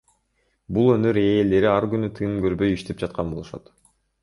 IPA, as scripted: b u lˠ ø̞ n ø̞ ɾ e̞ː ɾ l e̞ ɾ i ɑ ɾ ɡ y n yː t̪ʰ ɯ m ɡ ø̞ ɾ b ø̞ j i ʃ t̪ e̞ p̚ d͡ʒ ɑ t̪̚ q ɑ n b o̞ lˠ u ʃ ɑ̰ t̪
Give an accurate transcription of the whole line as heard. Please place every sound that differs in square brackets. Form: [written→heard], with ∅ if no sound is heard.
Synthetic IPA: b u lˠ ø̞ n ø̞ ɾ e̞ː [ɾ→∅] l e̞ ɾ i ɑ ɾ ɡ y n [yː→y] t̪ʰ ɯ m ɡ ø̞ ɾ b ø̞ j i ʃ t̪ e̞ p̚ d͡ʒ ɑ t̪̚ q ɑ n b o̞ lˠ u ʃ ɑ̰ t̪